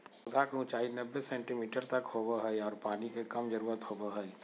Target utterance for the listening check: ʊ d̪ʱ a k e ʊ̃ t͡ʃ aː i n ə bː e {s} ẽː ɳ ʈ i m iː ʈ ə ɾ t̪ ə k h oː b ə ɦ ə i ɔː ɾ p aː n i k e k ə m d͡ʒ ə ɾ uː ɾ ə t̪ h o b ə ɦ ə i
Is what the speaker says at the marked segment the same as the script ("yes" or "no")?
yes